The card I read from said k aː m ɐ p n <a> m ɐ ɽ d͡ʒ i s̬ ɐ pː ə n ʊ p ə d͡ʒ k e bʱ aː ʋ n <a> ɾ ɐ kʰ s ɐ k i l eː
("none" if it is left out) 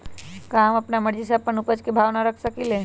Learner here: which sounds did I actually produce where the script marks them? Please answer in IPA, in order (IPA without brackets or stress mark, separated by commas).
a, a